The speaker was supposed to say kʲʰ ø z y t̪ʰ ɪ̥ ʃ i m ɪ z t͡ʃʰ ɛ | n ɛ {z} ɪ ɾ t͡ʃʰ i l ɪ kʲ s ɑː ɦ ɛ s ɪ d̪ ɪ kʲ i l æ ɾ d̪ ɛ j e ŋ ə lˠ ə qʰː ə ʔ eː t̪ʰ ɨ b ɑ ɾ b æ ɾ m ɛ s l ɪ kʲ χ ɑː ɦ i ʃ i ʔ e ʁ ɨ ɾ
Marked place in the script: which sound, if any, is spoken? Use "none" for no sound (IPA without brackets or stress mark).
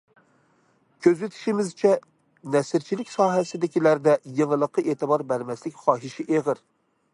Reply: s